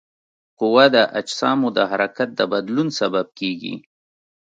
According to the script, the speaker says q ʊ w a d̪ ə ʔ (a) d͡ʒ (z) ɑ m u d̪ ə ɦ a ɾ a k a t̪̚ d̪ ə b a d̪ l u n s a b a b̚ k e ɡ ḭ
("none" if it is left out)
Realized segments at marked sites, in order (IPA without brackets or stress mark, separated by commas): a, s